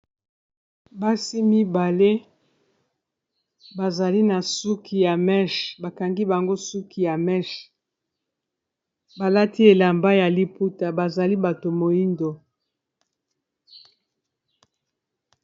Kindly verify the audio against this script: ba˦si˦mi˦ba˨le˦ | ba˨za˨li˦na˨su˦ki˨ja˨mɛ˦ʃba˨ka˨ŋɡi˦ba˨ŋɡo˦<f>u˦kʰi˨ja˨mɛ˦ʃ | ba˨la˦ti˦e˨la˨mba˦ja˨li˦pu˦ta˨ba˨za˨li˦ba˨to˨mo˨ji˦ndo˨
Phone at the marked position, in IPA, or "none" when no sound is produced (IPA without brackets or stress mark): s